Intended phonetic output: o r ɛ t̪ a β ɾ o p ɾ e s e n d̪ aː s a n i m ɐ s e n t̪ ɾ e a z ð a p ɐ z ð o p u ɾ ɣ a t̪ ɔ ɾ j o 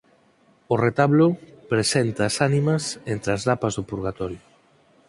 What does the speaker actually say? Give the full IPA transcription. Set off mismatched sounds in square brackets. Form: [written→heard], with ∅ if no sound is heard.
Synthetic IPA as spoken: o r [ɛ→e] t̪ a β [ɾ→l] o p ɾ e s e n [d̪→t̪] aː s a n i m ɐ s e n t̪ ɾ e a z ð a p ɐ z ð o p u ɾ ɣ a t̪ ɔ ɾ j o